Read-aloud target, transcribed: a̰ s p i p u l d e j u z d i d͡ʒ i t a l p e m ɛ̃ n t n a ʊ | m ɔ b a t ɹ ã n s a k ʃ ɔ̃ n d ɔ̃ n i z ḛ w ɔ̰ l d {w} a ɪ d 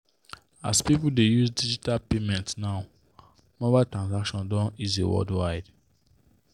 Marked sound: correct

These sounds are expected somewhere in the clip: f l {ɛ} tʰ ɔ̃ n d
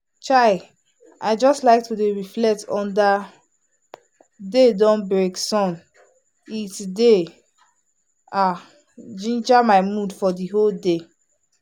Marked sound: correct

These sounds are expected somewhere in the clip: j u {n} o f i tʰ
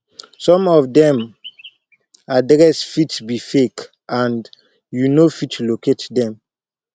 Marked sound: correct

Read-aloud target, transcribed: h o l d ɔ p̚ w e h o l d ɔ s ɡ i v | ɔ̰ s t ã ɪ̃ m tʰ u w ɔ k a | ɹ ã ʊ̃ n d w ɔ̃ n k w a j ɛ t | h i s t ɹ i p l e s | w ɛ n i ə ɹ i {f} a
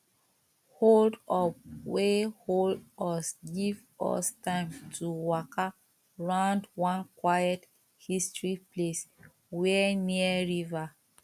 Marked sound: incorrect: v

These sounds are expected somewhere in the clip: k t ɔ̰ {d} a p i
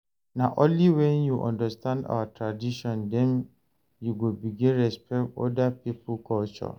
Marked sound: correct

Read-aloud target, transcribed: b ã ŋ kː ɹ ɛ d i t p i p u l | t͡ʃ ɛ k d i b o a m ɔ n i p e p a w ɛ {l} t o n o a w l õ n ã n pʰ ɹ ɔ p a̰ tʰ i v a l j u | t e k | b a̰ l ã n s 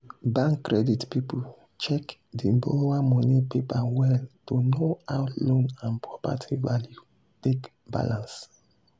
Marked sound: correct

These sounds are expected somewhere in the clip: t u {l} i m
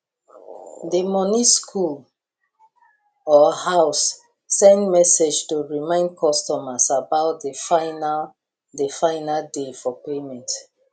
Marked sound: incorrect: ɹ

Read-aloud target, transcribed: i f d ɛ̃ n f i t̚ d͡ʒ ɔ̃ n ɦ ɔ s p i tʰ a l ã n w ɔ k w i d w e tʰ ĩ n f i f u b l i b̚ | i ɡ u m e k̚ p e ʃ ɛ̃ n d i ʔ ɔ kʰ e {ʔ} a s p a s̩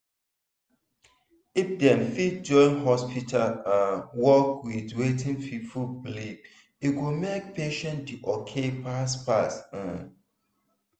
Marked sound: incorrect: p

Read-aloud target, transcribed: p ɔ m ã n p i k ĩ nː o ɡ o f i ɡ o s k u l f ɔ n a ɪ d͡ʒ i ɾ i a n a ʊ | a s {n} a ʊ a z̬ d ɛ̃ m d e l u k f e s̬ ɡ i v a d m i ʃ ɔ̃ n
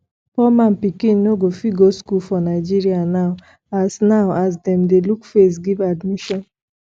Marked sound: correct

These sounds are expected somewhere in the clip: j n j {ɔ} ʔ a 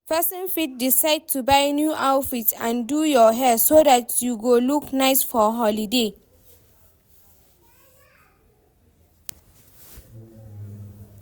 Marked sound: incorrect: u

